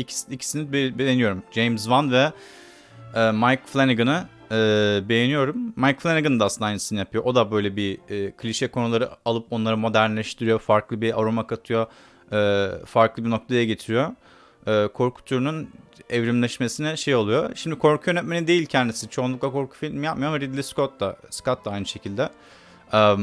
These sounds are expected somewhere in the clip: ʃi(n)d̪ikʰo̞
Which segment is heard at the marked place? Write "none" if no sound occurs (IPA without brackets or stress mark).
m